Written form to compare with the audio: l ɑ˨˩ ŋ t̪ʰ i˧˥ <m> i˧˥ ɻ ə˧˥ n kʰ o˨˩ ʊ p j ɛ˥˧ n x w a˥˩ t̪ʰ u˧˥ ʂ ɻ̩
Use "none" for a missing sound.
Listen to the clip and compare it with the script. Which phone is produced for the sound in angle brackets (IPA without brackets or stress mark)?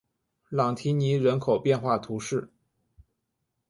n